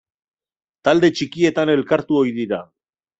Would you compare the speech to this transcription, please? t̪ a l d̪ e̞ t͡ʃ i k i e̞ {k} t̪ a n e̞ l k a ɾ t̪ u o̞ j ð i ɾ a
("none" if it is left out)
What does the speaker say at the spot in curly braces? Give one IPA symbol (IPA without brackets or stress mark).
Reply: none